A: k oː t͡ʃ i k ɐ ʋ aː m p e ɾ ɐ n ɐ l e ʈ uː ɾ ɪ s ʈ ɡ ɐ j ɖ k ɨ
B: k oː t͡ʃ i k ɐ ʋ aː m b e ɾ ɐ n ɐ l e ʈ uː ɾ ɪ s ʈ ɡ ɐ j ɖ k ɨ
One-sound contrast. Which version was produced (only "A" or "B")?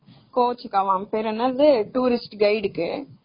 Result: A